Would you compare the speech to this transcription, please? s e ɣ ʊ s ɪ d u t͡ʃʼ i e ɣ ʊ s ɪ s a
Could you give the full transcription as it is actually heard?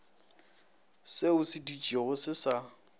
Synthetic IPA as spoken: s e ʊ s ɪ d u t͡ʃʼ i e ɣ ʊ s ɪ s a

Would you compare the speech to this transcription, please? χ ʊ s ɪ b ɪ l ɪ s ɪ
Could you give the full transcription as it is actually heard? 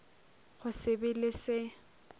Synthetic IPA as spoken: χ ʊ s ɪ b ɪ l ɪ s ɪ

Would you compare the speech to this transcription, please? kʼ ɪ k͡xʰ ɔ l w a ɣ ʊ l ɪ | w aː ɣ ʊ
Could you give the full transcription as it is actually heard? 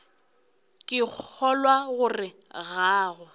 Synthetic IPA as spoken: kʼ ɪ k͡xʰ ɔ l w a ɣ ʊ r ɪ | ɣ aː ɣ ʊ

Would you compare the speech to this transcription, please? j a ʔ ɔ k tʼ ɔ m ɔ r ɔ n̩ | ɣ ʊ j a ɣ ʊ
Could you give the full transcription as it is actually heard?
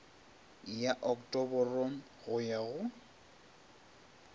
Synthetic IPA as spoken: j a ʔ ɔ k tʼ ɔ b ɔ r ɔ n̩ | ɣ ʊ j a ɣ ʊ

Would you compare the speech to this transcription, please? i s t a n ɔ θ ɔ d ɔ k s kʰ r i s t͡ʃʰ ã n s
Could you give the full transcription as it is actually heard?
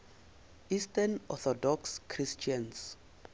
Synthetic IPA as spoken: i s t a n ɔ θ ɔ d ɔ k s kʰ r i s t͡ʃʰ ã n s

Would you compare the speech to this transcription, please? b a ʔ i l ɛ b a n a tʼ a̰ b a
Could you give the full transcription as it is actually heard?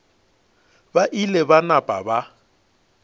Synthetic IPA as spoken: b a ʔ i l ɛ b a n a pʼ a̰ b a

